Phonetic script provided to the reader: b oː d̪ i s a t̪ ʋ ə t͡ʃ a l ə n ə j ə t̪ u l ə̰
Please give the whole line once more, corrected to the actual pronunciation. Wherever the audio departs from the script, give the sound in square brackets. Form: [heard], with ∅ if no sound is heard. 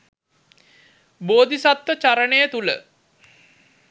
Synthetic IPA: b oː d̪ i s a t̪ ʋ ə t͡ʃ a [ɾ] ə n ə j ə t̪ u l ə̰